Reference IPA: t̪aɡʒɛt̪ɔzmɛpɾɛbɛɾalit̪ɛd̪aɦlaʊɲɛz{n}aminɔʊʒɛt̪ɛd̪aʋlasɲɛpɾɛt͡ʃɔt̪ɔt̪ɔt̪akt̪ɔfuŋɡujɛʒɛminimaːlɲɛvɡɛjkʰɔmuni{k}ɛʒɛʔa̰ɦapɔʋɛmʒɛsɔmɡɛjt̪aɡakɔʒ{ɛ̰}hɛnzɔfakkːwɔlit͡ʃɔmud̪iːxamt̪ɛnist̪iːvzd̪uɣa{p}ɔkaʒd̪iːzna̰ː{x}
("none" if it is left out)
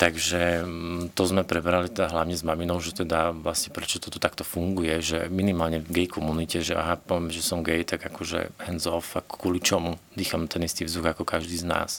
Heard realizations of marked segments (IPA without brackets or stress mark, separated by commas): m, c, ɛ̰, k, s